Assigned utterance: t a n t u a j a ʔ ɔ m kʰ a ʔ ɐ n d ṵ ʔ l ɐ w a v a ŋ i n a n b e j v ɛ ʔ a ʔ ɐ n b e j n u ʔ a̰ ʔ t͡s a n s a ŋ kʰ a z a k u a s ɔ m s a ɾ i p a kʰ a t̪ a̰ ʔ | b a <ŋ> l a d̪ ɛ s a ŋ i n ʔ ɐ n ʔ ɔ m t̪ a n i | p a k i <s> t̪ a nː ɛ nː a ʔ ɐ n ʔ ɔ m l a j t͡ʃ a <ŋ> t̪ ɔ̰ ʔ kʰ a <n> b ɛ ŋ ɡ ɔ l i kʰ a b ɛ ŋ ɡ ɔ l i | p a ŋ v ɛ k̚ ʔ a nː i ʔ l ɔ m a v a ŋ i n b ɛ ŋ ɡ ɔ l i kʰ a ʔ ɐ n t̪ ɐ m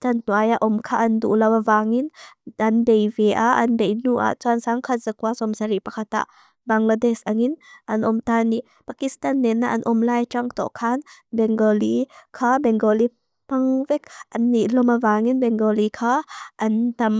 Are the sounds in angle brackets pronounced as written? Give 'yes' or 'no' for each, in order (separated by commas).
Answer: yes, yes, yes, yes